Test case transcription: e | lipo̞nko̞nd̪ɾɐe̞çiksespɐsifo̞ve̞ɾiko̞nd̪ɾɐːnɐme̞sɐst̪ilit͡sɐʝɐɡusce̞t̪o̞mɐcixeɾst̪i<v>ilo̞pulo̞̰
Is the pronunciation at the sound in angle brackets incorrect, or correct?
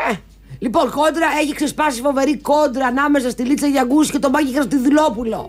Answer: incorrect